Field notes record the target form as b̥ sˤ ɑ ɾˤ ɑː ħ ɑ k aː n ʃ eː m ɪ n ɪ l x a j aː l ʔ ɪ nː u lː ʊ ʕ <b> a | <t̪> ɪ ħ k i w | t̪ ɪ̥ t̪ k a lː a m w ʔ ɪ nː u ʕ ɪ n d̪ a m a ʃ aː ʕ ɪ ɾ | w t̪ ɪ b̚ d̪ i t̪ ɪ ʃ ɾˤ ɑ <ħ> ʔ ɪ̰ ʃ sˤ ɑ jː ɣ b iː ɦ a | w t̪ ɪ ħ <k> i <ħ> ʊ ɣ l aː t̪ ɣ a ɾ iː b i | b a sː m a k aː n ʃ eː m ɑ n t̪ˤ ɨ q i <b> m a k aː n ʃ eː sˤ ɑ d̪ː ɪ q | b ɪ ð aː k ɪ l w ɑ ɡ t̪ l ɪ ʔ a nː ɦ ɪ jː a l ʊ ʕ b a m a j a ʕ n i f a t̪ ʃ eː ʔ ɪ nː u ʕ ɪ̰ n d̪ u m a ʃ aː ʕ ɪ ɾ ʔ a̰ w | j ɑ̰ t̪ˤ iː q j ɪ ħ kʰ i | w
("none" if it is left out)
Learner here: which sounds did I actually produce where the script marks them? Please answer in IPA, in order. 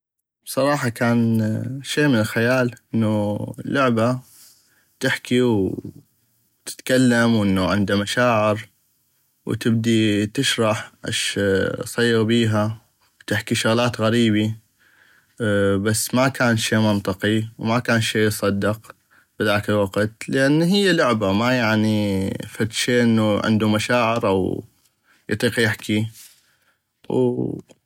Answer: b, t̪, ħ, k, ʃ, w

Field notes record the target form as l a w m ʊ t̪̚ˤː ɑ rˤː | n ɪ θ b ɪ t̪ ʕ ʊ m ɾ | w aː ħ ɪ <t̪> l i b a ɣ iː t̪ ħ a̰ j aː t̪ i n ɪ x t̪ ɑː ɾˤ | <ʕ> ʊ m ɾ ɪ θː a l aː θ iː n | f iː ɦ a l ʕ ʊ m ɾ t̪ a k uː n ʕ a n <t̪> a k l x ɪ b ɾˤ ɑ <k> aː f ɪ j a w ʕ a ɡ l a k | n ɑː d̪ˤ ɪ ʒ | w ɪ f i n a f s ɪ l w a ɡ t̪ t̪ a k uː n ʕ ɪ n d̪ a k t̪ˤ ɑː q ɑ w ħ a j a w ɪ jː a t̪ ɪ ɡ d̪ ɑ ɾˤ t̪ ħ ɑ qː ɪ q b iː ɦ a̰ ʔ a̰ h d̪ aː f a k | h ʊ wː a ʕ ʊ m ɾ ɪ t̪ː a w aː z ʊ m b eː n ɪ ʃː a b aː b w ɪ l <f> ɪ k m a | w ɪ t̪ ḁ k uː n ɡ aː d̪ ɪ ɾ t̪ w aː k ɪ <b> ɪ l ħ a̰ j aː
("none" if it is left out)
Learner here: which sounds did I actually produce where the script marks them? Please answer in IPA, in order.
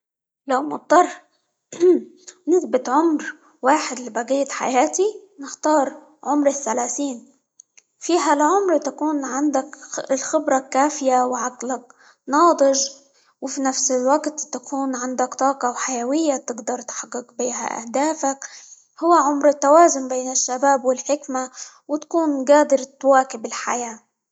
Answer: d̪, ʕ, d̪, k, ħ, b

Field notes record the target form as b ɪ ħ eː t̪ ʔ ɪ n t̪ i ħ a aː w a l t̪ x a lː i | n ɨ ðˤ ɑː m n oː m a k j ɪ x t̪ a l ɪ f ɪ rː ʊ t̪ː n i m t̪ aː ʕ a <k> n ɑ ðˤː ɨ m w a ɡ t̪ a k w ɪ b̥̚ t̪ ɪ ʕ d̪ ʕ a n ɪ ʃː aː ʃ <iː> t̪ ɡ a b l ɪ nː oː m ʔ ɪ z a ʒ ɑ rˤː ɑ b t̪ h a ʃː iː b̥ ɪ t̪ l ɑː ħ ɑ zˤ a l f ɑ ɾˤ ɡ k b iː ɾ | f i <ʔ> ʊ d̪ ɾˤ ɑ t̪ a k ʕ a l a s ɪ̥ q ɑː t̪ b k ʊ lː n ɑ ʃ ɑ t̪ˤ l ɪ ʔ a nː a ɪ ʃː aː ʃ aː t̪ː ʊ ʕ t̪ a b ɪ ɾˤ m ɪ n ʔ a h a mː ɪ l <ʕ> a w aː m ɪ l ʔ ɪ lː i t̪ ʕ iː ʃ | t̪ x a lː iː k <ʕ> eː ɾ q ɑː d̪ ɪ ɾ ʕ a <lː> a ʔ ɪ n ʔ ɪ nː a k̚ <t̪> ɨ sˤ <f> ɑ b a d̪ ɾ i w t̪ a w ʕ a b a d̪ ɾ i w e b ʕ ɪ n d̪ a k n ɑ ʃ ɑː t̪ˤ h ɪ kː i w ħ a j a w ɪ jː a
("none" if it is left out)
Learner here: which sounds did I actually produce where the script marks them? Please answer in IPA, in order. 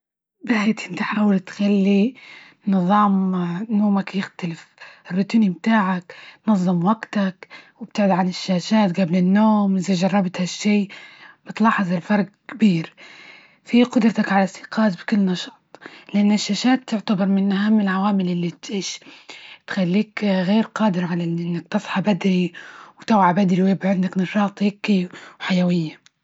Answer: k, aː, q, ʕ, ɣ, l, t̪, ħ

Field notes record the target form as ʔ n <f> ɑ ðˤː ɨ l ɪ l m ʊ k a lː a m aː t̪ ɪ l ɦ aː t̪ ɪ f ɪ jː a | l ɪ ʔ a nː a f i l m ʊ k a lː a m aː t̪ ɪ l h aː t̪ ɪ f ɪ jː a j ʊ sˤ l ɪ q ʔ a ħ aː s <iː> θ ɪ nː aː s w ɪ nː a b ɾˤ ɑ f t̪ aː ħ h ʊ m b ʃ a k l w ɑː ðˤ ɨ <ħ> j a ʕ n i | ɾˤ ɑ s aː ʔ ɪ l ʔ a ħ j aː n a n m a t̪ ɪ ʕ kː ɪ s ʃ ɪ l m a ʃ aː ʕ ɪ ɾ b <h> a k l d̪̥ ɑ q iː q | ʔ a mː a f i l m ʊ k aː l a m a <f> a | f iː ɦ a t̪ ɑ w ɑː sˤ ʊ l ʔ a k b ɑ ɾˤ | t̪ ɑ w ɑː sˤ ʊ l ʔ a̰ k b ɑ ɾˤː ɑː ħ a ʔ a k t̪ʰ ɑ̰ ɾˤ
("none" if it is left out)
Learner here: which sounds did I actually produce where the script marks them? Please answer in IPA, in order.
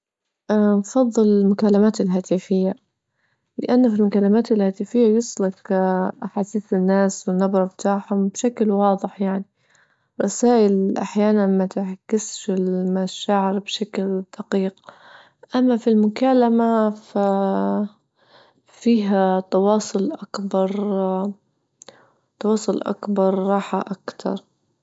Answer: f, iː, ħ, ʃ, f

